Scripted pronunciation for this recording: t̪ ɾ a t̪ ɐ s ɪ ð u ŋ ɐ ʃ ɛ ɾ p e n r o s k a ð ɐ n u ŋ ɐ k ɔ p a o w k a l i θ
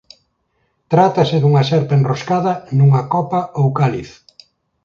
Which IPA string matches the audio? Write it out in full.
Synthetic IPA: t̪ ɾ a t̪ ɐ s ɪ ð u ŋ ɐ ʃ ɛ ɾ p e n r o s k a ð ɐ n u ŋ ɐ k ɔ p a o w k a l i θ